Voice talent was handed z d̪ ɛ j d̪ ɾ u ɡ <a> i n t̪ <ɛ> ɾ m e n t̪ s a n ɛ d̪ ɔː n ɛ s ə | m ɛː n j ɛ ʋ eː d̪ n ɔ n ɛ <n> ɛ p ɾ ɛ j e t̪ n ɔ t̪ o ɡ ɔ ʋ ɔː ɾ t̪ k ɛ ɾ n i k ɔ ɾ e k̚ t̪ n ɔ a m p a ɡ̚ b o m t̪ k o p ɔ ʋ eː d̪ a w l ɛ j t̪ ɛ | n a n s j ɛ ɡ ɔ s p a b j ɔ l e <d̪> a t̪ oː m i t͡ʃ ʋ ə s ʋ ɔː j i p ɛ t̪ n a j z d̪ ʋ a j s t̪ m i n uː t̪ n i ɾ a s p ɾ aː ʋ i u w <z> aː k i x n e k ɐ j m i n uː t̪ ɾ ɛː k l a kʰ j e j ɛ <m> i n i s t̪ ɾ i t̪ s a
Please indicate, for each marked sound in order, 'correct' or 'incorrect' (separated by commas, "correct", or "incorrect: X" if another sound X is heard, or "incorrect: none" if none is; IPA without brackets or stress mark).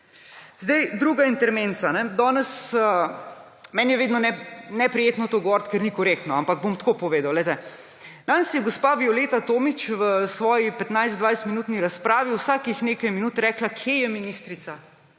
correct, correct, correct, incorrect: t̪, incorrect: s, correct